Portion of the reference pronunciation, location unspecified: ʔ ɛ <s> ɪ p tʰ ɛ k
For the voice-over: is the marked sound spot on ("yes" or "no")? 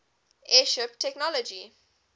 no